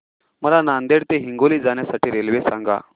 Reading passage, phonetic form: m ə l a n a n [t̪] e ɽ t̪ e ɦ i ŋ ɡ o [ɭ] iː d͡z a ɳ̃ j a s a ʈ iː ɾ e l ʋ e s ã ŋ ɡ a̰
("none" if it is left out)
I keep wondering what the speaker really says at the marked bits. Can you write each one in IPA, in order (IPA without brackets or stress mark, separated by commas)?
d̪, l